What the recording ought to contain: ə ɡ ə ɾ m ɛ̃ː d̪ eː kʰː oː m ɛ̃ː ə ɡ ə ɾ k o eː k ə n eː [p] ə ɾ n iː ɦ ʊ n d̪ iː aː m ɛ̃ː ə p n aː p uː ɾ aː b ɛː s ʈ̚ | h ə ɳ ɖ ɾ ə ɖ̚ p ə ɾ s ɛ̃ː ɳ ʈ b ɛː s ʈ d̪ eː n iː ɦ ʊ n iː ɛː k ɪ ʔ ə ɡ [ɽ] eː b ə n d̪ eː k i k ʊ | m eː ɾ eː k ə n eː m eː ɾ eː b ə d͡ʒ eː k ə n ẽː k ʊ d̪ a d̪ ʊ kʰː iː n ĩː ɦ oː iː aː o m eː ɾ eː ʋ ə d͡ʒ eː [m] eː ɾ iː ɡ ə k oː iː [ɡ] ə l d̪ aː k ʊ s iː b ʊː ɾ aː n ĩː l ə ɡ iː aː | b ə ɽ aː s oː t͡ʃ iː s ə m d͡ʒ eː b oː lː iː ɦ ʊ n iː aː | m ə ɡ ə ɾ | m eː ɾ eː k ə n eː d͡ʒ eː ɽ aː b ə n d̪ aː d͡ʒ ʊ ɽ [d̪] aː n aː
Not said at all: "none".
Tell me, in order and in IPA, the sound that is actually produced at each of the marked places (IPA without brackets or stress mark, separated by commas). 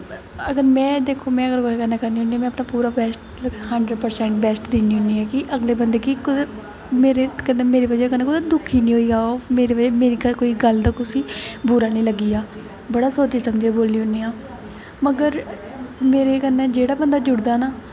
k, l, m, ɡ, d̪